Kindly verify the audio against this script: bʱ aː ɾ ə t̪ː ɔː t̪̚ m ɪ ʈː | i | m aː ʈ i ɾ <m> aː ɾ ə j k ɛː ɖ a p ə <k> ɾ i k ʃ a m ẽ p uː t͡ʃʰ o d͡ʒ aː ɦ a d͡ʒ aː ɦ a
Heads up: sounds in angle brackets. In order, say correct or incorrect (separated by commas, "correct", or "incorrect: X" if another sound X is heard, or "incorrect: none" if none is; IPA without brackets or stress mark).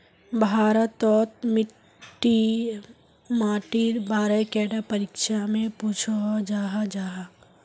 incorrect: b, incorrect: none